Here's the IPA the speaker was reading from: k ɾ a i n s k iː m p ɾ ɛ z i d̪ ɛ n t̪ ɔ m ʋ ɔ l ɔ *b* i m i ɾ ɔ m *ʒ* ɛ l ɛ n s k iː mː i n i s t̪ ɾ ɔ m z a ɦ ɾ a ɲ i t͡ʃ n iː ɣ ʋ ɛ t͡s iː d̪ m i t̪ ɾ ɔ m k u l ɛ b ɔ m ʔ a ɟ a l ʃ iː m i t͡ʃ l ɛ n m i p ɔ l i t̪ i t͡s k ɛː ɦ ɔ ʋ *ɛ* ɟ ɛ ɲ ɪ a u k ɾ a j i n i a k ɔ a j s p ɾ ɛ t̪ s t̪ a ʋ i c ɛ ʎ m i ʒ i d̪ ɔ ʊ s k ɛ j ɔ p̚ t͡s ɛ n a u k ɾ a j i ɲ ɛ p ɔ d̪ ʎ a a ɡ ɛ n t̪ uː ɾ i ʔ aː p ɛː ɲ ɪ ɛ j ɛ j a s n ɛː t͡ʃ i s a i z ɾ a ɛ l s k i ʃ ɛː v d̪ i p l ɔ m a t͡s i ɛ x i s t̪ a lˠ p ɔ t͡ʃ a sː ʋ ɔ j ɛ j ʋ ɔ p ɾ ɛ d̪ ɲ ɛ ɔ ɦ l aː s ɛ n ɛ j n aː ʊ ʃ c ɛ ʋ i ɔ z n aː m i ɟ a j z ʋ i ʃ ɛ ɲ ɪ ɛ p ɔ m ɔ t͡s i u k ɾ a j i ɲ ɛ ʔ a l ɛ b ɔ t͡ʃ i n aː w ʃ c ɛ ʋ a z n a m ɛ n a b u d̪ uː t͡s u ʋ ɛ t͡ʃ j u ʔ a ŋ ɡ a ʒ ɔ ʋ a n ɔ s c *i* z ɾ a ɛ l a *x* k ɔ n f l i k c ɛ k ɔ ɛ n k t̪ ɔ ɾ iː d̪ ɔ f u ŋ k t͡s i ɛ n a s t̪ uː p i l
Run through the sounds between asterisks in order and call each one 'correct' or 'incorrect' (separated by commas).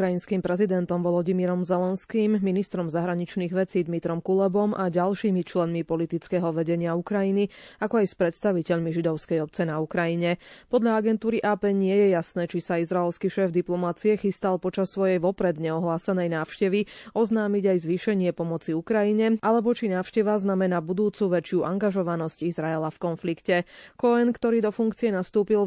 incorrect, incorrect, correct, correct, incorrect